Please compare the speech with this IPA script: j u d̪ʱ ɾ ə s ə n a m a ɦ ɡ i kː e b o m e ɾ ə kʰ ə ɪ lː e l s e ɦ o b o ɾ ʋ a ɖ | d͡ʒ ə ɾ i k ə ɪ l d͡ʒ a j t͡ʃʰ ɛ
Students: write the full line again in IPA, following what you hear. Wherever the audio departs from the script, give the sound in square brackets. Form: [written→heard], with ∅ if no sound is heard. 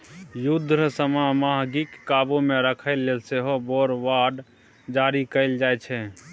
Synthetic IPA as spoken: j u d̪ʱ ɾ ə s ə [n→m] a m a ɦ ɡ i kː [e→a] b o m e ɾ ə kʰ ə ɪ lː e l s e ɦ o b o ɾ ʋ a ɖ | d͡ʒ [ə→a] ɾ i k ə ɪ l d͡ʒ a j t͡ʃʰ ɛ